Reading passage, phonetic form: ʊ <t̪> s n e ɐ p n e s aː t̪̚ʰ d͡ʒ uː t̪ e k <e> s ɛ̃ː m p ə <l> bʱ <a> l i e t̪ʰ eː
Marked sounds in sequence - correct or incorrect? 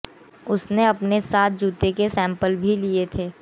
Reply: incorrect: none, correct, correct, incorrect: i

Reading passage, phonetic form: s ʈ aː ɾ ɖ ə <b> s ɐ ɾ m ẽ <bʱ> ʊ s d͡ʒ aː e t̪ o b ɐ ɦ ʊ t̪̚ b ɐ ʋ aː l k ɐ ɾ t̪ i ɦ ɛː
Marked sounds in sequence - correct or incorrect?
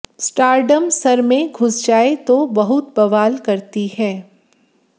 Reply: incorrect: m, incorrect: ɡʱ

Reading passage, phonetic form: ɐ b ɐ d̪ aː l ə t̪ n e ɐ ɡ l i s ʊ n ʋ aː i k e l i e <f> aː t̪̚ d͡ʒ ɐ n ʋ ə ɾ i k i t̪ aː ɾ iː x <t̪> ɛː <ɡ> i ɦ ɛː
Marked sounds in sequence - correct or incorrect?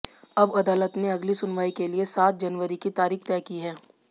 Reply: incorrect: s, correct, incorrect: k

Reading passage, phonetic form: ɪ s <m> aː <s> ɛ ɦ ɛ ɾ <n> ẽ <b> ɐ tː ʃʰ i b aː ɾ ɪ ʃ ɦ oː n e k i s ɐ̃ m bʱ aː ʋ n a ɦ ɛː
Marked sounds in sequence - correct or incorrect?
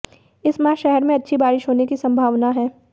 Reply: correct, incorrect: ʃ, incorrect: m, incorrect: none

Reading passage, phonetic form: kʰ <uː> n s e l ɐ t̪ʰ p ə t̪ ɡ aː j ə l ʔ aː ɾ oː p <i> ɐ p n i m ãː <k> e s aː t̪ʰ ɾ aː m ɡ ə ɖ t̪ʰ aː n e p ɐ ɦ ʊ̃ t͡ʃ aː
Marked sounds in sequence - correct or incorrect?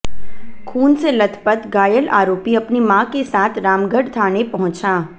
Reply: correct, correct, correct

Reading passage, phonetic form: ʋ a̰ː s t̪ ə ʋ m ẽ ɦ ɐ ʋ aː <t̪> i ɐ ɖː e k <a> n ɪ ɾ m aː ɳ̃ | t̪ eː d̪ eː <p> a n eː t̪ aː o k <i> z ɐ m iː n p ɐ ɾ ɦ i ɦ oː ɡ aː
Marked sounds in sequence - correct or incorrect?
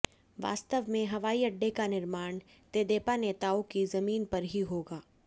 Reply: incorrect: none, correct, correct, correct

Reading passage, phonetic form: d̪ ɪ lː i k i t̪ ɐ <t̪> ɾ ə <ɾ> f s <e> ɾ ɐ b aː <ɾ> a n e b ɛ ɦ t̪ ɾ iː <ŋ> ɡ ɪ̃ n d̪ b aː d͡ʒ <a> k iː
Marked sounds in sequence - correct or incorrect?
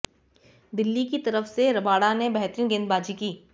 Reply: incorrect: none, incorrect: none, correct, incorrect: ɽ, incorrect: n, incorrect: i

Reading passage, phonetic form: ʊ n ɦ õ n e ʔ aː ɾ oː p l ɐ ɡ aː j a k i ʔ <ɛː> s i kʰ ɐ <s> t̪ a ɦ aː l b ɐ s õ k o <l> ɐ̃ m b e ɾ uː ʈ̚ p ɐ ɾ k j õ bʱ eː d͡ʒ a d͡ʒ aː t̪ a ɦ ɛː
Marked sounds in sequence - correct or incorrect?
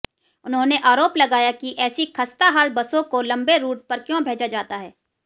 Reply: correct, correct, correct

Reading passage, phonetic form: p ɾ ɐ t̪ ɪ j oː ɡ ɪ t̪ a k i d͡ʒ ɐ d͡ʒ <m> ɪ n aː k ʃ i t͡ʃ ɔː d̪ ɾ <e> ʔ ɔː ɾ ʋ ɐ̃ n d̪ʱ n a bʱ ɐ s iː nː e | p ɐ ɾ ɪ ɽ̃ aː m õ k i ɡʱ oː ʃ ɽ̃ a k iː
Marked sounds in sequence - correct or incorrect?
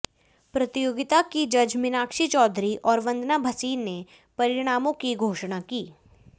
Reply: correct, incorrect: i

